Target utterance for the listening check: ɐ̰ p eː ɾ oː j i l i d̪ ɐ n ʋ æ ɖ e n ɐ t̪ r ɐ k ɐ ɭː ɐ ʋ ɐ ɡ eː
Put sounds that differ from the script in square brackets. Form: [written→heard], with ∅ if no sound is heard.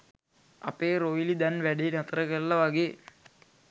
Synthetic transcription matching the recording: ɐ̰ p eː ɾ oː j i l i d̪ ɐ n ʋ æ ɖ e n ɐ t̪ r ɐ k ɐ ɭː ɐ ʋ ɐ ɡ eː